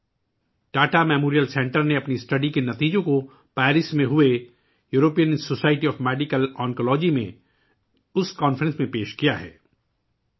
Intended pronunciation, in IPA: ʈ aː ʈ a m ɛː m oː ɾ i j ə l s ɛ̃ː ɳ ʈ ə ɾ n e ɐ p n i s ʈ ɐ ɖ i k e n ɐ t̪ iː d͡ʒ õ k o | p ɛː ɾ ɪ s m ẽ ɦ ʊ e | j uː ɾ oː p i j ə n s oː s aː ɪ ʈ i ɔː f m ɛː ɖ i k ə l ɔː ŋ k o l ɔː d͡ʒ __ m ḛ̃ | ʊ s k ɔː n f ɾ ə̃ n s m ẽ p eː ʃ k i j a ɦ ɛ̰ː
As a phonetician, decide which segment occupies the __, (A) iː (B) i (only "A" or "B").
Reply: B